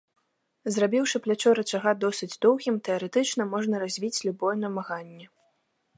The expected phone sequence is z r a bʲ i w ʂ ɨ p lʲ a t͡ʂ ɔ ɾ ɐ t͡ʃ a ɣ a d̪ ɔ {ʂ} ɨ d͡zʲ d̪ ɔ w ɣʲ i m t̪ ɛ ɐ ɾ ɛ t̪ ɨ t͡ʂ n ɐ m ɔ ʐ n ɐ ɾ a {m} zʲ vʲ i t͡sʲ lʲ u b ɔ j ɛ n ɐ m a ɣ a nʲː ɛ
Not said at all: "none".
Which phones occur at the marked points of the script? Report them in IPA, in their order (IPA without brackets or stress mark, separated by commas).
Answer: s, none